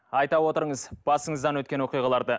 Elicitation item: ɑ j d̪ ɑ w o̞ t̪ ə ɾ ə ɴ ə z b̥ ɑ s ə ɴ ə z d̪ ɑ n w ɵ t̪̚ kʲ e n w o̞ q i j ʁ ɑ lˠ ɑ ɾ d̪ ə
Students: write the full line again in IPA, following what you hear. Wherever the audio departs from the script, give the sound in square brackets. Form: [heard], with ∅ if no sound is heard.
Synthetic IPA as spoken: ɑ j [t̪] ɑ w o̞ t̪ ə ɾ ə ɴ ə z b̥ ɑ s ə ɴ ə z d̪ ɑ n w ɵ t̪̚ kʲ e n w o̞ q i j ʁ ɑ lˠ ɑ ɾ d̪ ə